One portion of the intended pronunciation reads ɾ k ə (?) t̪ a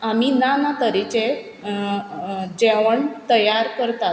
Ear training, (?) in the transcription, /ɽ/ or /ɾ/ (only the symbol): ɾ